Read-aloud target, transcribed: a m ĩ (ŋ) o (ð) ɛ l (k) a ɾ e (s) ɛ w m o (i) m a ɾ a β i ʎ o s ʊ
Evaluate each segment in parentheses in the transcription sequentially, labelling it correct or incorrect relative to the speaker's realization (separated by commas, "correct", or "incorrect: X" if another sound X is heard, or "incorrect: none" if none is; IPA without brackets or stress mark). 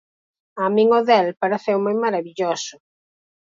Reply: correct, correct, incorrect: p, incorrect: θ, incorrect: j